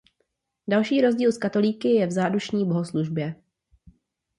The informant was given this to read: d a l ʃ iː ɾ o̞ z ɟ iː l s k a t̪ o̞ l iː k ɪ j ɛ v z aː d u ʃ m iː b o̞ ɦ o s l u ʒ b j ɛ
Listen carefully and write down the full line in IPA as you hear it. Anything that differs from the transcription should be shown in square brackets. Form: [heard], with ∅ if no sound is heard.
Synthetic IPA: d a l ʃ iː ɾ o̞ z ɟ iː l s k a t̪ o̞ l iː k ɪ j ɛ v z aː d u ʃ [ɲ] iː b o̞ ɦ o s l u ʒ b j ɛ